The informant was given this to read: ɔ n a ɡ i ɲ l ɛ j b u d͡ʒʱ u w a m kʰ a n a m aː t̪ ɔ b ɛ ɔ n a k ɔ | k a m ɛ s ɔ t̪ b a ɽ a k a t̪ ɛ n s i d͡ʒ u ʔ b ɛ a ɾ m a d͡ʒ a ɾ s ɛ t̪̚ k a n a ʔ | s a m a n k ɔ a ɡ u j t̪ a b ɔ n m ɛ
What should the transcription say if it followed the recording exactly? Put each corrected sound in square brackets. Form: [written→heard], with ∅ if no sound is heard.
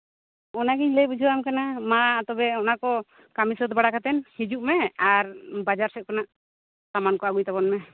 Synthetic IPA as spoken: ɔ n a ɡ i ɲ l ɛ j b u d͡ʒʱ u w a m [kʰ→k] a n a m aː t̪ ɔ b ɛ ɔ n a k ɔ | k a m [ɛ→i] s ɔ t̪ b a ɽ a k a t̪ ɛ n [s→h] i d͡ʒ u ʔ [b→m] ɛ a ɾ [m→b] a d͡ʒ a ɾ s ɛ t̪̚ k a n a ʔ | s a m a n k ɔ a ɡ u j t̪ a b ɔ n m ɛ